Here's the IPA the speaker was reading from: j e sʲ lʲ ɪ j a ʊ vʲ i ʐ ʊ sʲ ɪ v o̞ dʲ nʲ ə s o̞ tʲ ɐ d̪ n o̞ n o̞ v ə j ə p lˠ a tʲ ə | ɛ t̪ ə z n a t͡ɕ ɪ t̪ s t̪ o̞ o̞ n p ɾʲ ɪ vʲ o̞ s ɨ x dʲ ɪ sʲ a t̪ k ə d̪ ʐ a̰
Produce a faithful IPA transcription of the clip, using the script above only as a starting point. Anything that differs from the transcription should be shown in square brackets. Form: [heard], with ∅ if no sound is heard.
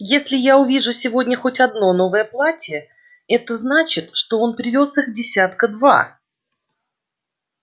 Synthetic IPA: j e sʲ lʲ ɪ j a ʊ vʲ i ʐ ʊ sʲ ɪ v o̞ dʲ nʲ ə [x] o̞ tʲ ɐ d̪ n o̞ n o̞ v ə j ə p lˠ a tʲ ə | ɛ t̪ ə z n a t͡ɕ ɪ t̪ [ʂ] t̪ o̞ o̞ n p ɾʲ ɪ vʲ o̞ s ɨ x dʲ ɪ sʲ a t̪ k ə d̪ [v] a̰